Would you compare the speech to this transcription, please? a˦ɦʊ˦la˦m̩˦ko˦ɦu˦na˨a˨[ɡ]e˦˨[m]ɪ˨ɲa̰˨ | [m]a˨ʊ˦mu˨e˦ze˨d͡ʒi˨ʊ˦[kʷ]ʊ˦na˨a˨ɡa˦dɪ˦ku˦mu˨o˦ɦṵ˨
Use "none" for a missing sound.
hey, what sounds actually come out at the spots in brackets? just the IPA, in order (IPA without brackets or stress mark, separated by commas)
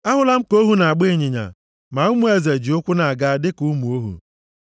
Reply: ɡ͡b, ɲ, m, kʷ